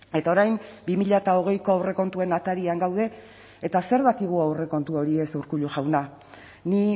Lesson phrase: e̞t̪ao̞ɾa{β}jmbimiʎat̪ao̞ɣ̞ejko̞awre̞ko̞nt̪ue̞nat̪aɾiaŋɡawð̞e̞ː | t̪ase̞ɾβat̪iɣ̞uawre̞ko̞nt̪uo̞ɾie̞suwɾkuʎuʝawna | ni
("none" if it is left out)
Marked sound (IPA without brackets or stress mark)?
none